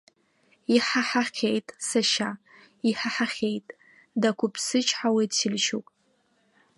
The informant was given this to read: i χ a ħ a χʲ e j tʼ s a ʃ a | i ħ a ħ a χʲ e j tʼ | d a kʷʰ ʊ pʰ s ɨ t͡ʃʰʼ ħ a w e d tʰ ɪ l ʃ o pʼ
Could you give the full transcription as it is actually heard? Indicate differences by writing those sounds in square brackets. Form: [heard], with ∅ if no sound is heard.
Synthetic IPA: i [ħ] a ħ a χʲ e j tʼ s a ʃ a | i ħ a ħ a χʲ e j tʼ | d a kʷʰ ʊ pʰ s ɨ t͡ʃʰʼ ħ a w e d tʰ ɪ l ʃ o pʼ